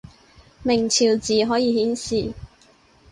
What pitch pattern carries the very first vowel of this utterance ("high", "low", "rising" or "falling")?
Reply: low